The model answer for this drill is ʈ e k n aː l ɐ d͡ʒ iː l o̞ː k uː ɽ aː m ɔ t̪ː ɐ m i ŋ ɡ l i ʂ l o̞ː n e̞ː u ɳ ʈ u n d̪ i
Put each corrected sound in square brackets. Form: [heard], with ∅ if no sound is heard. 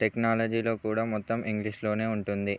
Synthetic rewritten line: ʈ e k n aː l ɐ d͡ʒ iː l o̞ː k uː ɽ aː m ɔ t̪ː ɐ m i ŋ ɡ l i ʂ l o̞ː n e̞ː u ɳ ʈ u n d̪ i